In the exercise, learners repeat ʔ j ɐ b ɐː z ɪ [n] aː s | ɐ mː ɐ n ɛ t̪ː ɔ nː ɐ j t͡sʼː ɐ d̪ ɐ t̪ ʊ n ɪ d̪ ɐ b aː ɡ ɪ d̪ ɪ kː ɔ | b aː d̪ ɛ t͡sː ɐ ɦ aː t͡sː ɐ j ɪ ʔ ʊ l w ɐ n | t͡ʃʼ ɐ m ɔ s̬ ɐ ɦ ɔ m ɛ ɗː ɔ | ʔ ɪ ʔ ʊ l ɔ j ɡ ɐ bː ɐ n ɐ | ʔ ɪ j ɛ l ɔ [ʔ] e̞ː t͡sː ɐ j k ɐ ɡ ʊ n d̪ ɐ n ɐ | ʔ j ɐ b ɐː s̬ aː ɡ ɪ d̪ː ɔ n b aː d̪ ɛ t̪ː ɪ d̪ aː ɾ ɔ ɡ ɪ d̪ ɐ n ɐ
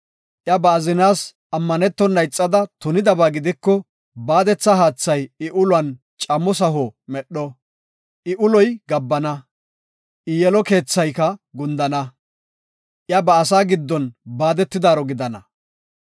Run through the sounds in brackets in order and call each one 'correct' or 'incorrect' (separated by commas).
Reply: correct, incorrect